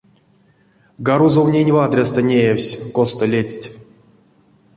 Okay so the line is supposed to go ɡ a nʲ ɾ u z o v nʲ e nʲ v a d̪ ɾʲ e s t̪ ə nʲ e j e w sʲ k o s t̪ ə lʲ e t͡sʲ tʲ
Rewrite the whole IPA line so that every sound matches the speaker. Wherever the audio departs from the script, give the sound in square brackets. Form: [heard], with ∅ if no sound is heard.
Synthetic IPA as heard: ɡ a [∅] ɾ u z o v nʲ e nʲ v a d̪ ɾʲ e s t̪ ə nʲ e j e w sʲ k o s t̪ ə lʲ e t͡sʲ tʲ